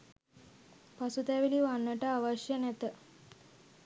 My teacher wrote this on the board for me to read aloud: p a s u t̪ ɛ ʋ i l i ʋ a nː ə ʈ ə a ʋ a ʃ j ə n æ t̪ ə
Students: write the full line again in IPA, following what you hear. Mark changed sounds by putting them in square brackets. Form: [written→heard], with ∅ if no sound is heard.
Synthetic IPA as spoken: p a s u t̪ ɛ ʋ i l i ʋ a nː ə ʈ ə a ʋ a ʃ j ə n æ t̪ ə